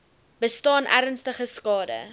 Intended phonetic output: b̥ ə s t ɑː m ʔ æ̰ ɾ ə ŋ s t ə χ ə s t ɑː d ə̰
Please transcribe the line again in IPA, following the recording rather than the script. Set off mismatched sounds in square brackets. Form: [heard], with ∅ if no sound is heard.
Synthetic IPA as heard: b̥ ə s t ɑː [n] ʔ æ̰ ɾ ə [n] s t ə χ ə s [k] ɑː d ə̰